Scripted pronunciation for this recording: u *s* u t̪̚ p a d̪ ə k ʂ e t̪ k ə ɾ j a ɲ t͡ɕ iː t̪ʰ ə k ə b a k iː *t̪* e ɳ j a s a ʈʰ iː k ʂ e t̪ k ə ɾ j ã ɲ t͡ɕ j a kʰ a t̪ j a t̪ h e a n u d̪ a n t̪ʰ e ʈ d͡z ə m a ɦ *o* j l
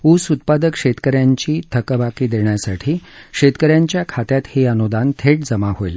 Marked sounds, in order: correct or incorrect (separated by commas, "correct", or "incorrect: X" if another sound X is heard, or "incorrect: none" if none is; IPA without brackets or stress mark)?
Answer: correct, incorrect: d̪, correct